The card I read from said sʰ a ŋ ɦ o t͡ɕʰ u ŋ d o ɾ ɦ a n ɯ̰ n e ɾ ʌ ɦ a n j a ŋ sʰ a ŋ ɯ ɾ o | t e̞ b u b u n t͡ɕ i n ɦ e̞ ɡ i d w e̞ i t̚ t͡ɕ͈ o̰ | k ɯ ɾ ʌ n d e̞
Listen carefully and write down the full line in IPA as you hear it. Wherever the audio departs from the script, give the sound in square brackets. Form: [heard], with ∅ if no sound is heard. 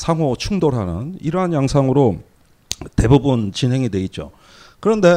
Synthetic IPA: sʰ a ŋ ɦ o t͡ɕʰ u ŋ d o ɾ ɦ a n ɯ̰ n [i] ɾ ʌ ɦ a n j a ŋ sʰ a ŋ ɯ ɾ o | t e̞ b u b u n t͡ɕ i n ɦ e̞ [ŋ] i d w e̞ i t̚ t͡ɕ͈ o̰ | k ɯ ɾ ʌ n d e̞